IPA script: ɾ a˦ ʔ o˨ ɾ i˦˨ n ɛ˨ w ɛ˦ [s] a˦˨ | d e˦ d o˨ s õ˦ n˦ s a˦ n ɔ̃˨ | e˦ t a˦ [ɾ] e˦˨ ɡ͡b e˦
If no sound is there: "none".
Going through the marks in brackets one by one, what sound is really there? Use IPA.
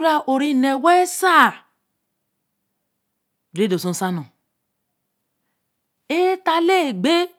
s, l

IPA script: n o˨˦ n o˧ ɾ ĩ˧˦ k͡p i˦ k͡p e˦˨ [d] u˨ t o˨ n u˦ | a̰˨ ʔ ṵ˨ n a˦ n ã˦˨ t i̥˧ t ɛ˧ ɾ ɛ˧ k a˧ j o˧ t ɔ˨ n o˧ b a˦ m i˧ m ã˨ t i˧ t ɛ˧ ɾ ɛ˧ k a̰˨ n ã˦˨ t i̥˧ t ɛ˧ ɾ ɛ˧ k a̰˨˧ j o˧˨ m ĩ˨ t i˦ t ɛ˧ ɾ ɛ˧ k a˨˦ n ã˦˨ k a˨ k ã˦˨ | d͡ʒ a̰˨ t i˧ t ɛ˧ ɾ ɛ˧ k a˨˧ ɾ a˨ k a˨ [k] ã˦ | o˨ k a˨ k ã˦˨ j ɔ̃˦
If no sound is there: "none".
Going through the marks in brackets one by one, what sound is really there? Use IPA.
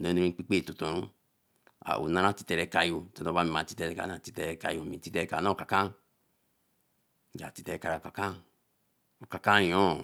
t, k

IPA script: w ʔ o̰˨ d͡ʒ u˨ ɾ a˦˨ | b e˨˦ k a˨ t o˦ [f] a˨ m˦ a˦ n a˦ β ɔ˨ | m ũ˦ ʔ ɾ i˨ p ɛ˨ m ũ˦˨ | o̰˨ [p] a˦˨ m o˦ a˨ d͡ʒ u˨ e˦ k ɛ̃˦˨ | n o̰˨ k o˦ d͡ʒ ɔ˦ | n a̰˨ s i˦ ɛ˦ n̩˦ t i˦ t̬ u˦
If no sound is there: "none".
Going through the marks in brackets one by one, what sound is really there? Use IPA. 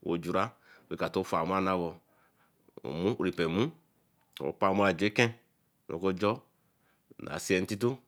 f, p

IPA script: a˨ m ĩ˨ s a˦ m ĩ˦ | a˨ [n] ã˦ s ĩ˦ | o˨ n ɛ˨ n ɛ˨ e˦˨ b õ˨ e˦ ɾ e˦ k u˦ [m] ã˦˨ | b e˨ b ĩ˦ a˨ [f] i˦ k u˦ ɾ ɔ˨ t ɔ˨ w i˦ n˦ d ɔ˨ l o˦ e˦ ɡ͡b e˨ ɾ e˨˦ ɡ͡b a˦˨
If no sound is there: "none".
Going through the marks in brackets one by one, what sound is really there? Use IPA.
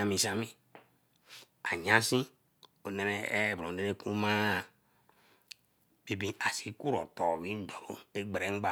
ɲ, m, s

